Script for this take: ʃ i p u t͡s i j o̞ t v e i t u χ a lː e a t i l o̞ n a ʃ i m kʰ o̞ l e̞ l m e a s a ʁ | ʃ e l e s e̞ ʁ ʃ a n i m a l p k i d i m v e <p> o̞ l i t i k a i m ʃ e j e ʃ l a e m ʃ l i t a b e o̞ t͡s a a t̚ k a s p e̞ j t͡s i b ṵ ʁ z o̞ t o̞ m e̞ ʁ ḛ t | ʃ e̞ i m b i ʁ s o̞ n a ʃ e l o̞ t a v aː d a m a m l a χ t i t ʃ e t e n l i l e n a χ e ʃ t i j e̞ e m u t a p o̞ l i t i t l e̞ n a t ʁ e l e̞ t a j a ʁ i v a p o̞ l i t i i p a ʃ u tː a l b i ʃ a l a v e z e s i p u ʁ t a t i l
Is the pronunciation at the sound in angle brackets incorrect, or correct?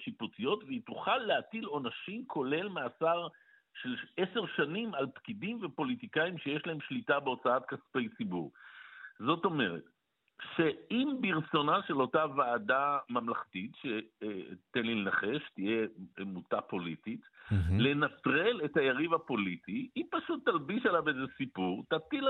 correct